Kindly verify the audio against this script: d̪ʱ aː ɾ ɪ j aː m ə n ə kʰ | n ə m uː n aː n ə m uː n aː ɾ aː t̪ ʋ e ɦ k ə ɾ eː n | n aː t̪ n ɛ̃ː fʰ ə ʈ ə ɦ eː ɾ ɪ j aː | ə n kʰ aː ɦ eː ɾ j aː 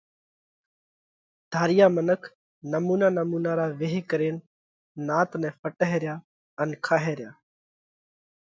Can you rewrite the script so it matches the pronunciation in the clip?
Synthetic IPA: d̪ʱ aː ɾ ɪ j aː m ə n ə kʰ | n ə m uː n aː n ə m uː n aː ɾ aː ʋ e ɦ k ə ɾ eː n | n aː t̪ n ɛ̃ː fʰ ə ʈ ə ɦ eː ɾ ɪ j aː | ə n kʰ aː ɦ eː ɾ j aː